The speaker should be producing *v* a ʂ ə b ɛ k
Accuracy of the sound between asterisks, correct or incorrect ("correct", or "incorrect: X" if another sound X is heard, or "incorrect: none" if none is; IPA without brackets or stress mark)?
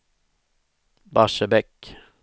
incorrect: b